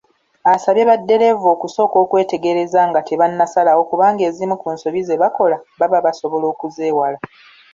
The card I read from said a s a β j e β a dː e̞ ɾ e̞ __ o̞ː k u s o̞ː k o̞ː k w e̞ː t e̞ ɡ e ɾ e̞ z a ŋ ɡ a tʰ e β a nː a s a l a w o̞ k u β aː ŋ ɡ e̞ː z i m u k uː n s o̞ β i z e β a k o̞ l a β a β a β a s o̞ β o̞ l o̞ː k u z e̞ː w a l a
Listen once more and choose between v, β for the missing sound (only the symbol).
v